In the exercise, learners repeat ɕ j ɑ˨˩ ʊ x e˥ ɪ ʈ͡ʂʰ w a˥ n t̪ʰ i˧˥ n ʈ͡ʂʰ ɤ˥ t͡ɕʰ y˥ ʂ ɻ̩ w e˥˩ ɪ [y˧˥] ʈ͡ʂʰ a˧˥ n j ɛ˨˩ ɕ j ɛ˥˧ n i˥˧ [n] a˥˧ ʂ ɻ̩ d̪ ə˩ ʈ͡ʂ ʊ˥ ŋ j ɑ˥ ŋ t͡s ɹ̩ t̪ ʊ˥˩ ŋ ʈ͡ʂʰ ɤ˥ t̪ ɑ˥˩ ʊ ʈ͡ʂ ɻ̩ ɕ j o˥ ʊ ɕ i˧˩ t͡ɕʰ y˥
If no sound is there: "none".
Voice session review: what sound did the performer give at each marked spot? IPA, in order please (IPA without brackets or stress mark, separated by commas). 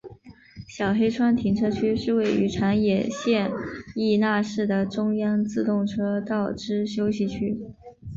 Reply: y˧˥, n